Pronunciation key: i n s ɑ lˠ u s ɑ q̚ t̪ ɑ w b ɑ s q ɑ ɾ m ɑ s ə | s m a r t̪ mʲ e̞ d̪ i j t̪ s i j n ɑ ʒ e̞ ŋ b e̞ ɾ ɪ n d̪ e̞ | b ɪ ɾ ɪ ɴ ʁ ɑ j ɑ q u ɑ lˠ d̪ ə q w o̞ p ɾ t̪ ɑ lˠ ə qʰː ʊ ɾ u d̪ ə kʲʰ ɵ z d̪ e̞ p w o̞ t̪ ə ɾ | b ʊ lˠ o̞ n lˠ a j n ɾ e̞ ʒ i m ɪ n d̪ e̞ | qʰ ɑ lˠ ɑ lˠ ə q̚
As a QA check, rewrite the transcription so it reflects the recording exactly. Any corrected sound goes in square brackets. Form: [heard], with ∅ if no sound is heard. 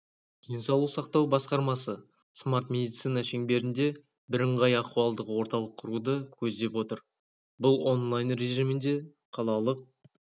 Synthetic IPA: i n s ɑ lˠ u s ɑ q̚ t̪ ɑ w b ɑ s q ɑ ɾ m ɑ s ə | s m a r t̪ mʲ e̞ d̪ i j t̪ s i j n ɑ [ʃ] e̞ ŋ b e̞ ɾ ɪ n d̪ e̞ | b ɪ ɾ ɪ ɴ ʁ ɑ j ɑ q u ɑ lˠ d̪ ə q w o̞ [∅] ɾ t̪ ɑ lˠ ə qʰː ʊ ɾ u d̪ ə kʲʰ ɵ z d̪ e̞ p w o̞ t̪ ə ɾ | b ʊ lˠ o̞ n lˠ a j n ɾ e̞ ʒ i m ɪ n d̪ e̞ | qʰ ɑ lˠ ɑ lˠ ə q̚